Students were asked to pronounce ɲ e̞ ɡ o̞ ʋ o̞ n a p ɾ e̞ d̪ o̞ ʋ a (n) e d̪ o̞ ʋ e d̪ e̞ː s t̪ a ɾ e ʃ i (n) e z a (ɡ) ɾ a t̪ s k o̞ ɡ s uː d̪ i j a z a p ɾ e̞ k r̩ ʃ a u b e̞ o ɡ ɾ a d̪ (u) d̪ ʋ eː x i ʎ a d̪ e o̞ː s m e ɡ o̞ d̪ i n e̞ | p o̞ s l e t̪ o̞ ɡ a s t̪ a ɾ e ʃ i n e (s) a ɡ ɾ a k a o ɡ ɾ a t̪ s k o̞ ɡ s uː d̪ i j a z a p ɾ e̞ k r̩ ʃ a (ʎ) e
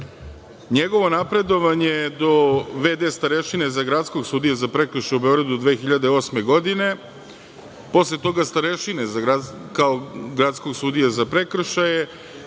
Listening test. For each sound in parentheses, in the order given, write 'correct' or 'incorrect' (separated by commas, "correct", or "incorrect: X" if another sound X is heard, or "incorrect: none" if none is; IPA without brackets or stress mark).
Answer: incorrect: ɲ, correct, correct, correct, incorrect: z, incorrect: j